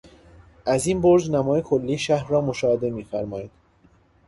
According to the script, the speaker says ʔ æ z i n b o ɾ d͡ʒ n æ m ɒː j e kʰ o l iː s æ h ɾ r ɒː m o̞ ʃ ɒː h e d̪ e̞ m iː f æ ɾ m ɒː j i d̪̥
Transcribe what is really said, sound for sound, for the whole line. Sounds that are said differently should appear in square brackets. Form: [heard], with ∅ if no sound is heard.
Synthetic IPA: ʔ æ z i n b o ɾ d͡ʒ n æ m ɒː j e kʰ o [lː] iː [ʃ] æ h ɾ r ɒː m o̞ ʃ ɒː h e d̪ e̞ m iː f æ ɾ m ɒː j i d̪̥